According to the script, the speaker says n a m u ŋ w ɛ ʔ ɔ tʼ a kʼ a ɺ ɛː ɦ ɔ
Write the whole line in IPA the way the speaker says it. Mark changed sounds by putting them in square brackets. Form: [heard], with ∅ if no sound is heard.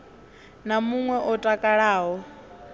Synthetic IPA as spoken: n a m u ŋ w ɛ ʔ ɔ tʼ a kʼ a ɺ [aː] ɦ ɔ